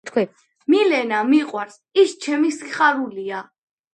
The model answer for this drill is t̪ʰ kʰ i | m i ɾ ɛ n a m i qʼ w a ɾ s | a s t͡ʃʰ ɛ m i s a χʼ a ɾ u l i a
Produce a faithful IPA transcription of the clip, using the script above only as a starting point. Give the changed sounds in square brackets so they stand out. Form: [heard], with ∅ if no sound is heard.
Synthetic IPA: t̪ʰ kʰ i | m i [l] ɛ n a m i qʼ w a ɾ s | [i] s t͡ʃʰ ɛ m i s [i] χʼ a ɾ u l i a